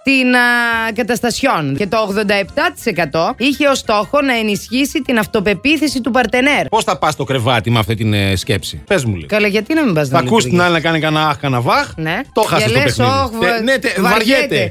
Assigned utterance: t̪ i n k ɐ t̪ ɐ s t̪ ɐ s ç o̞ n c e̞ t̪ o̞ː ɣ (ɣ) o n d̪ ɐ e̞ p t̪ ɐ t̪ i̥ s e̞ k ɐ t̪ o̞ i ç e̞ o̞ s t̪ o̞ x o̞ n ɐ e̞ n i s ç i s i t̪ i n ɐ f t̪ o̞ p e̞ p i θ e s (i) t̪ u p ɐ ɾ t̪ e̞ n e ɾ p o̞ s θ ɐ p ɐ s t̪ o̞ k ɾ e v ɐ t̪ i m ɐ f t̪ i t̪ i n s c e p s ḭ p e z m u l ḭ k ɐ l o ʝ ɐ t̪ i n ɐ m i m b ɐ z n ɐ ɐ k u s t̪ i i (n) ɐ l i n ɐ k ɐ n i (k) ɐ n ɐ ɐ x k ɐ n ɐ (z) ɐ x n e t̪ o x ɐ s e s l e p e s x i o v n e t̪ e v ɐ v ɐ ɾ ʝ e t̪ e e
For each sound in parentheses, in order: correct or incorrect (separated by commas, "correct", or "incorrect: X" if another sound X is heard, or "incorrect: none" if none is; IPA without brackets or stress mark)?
incorrect: ð, correct, correct, correct, incorrect: v